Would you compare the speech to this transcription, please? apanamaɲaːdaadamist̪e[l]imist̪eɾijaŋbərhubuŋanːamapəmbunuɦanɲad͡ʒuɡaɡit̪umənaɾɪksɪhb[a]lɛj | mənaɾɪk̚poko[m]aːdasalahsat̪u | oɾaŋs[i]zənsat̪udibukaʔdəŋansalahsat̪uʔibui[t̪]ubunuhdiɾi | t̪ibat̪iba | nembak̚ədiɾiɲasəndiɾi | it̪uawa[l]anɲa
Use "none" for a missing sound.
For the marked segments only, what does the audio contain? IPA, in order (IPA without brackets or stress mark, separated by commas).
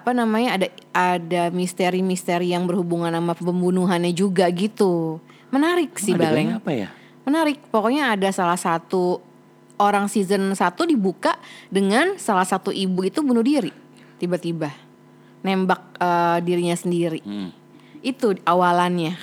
ɾ, a, ɲ, i, t̪, l